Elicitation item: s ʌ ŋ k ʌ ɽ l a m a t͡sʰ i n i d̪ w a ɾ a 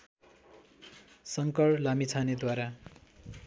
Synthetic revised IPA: s ʌ ŋ k ʌ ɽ l a m i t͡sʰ a n e d̪ w a ɾ a